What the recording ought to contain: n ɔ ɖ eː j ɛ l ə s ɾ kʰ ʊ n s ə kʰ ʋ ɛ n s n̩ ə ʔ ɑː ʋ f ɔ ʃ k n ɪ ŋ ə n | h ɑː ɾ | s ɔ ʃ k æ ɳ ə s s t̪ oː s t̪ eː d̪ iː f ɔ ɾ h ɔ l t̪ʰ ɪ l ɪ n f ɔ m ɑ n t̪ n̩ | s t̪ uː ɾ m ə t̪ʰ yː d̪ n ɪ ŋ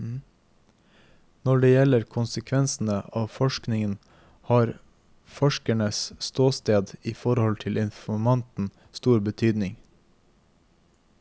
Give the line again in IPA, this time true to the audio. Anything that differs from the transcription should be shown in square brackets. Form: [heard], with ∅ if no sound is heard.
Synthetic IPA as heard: n ɔ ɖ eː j ɛ l ə [∅] ɾ kʰ ʊ n s ə kʰ ʋ ɛ n s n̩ ə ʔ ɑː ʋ f ɔ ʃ k n ɪ ŋ ə n | h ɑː ɾ | [f] ɔ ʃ k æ ɳ ə s s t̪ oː s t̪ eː d̪ iː f ɔ ɾ h ɔ l t̪ʰ ɪ l ɪ n f ɔ m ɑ n t̪ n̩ | s t̪ uː ɾ [b] ə t̪ʰ yː d̪ n ɪ ŋ